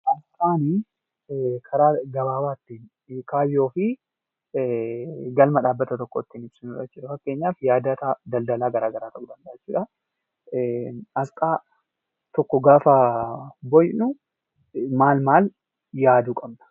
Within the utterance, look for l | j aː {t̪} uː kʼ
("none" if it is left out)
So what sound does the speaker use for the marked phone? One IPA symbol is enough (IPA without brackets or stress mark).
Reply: d̪